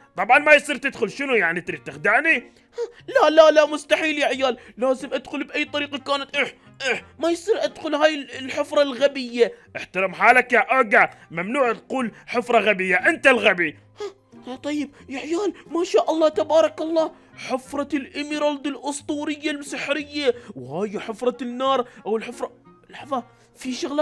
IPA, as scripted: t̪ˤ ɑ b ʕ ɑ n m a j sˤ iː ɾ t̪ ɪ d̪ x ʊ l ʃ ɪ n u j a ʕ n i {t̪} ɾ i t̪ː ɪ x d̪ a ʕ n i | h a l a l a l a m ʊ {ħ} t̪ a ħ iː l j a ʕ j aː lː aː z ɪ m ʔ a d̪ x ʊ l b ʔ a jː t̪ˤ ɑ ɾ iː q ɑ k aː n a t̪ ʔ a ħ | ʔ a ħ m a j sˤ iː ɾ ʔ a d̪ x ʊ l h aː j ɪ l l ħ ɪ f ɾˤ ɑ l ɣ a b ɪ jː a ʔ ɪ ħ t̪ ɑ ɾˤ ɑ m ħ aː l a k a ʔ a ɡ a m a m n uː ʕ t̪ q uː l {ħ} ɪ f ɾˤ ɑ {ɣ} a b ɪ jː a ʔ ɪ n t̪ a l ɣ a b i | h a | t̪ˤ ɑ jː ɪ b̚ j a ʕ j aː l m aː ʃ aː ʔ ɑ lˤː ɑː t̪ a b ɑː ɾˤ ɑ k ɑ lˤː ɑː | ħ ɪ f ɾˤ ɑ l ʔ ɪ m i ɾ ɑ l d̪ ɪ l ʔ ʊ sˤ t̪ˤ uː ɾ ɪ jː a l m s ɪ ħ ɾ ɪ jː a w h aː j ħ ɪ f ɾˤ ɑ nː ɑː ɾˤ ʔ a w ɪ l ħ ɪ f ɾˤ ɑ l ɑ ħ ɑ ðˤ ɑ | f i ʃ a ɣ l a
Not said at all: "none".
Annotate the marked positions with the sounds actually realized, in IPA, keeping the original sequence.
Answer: t̪, s, ħ, ɣ

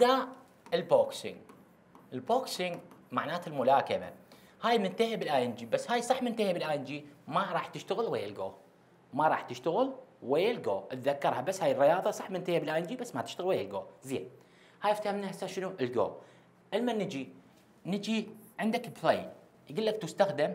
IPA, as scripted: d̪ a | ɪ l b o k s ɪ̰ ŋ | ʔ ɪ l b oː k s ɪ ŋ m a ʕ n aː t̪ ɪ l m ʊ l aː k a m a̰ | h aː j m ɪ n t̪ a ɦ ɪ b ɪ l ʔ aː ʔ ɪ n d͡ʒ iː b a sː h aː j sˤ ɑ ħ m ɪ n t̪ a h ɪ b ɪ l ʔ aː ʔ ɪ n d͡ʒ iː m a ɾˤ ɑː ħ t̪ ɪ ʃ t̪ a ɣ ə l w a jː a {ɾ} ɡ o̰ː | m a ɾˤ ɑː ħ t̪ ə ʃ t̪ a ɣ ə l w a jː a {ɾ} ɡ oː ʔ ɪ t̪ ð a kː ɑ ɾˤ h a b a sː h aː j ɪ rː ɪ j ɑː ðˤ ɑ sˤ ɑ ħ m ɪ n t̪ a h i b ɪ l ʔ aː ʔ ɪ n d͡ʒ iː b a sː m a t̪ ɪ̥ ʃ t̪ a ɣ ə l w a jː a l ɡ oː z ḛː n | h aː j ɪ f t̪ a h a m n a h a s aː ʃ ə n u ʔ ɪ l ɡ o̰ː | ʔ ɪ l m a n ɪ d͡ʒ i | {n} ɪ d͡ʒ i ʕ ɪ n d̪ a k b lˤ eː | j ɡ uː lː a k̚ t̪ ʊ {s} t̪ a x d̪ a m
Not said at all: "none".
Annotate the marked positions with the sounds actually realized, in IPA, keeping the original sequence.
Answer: l, l, n, s

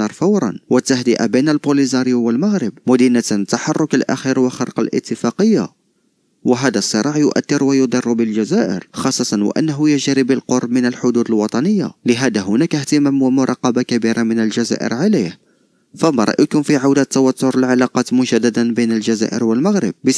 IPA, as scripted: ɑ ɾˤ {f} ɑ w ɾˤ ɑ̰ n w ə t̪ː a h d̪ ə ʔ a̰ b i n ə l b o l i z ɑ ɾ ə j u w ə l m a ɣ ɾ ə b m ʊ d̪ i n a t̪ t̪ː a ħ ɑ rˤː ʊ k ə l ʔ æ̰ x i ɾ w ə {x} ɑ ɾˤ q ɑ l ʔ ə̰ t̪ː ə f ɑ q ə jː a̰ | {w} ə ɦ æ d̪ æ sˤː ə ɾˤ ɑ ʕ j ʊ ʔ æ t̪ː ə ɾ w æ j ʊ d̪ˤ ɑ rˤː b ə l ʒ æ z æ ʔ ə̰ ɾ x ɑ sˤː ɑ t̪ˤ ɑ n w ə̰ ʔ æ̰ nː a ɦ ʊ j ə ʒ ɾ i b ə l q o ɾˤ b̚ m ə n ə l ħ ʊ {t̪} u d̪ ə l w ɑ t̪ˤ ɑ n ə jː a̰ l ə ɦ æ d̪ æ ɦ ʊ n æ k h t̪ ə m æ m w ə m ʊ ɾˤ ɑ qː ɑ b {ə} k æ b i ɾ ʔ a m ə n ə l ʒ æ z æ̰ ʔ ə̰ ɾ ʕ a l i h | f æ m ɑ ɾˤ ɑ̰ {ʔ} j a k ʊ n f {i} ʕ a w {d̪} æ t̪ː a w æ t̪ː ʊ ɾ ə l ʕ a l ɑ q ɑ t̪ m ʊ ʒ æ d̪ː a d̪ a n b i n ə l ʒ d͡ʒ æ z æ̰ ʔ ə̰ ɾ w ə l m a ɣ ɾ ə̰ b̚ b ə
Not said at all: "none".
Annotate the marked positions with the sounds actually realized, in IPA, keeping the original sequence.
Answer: f, x, w, d̪, a, ʔ, i, d̪

